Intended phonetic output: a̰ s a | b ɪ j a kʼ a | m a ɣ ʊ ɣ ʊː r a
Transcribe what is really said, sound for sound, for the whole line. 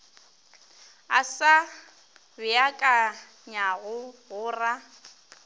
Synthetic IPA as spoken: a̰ s a | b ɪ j a kʼ a | ɲ a ɣ ʊ ɣ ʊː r a